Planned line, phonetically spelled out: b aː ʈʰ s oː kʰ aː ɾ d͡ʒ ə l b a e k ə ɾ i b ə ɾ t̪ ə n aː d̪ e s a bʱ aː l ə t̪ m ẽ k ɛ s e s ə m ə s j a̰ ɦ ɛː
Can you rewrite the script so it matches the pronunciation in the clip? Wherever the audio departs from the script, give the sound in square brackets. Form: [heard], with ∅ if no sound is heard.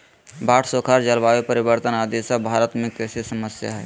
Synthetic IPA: b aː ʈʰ s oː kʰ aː ɾ d͡ʒ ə l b a e [p] ə ɾ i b ə ɾ t̪ ə n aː d̪ e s a bʱ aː [ɾ] ə t̪ m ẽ k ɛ s e s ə m ə s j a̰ ɦ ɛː